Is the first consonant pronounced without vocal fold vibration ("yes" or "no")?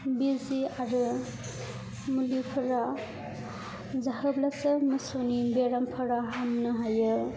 no